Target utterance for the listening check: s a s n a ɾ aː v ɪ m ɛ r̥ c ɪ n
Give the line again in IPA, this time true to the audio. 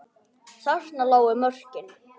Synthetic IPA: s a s n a l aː w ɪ m œ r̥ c ɪ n